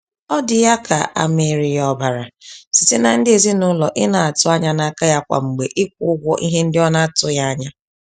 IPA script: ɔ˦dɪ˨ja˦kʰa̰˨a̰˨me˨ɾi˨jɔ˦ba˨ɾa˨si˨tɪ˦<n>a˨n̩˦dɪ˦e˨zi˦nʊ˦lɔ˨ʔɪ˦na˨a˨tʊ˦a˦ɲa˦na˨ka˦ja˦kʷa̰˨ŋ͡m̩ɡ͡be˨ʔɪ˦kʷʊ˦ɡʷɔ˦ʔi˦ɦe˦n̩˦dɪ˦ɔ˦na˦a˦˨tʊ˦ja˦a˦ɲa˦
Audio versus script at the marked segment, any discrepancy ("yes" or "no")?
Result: no